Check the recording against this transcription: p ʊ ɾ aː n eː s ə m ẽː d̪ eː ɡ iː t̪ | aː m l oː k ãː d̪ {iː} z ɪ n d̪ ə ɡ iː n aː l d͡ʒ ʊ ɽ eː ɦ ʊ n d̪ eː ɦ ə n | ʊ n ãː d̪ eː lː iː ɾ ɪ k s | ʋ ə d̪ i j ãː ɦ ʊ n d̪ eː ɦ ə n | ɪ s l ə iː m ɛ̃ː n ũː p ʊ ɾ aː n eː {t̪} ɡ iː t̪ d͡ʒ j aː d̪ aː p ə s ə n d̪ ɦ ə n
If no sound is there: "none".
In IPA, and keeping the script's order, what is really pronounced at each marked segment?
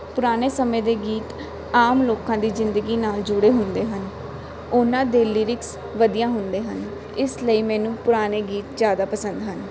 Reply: iː, none

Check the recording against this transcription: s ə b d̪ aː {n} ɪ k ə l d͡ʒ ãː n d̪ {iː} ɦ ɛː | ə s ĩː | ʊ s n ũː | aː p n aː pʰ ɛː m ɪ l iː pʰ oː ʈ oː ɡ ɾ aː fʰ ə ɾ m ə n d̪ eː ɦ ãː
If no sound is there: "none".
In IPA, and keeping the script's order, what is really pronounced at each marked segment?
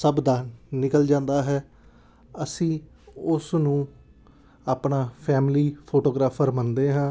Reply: n, aː

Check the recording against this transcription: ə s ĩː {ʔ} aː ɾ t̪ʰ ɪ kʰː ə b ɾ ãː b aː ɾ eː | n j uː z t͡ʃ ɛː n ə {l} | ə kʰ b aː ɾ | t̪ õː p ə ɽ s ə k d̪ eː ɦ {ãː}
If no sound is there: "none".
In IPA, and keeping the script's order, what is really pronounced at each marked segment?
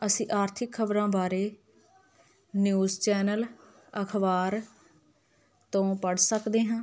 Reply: ʔ, l, ãː

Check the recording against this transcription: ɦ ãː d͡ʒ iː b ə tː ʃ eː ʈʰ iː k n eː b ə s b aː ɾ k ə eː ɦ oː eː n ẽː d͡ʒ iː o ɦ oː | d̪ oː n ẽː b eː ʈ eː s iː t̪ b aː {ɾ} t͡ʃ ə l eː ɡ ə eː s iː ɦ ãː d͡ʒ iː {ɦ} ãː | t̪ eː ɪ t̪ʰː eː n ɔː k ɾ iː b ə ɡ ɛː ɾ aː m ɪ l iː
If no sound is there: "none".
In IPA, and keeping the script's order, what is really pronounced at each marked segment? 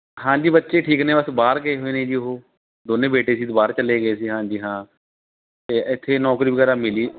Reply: ɾ, ɦ

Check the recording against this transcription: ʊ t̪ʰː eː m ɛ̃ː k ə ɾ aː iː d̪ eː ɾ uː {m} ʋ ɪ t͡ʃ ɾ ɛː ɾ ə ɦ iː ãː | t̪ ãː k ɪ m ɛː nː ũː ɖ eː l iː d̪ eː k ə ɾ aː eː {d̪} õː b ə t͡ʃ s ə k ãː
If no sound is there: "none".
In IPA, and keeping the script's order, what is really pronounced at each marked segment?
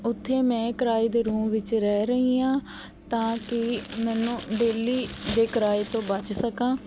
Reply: m, t̪

